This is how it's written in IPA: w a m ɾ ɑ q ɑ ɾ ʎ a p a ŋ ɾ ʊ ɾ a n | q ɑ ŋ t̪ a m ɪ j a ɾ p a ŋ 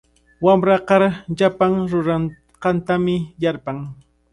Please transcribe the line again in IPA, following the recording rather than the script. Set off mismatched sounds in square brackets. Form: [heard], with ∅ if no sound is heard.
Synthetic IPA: w a m ɾ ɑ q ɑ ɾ ʎ a p a ŋ ɾ ʊ ɾ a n | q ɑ [n] t̪ a m ɪ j a ɾ p a ŋ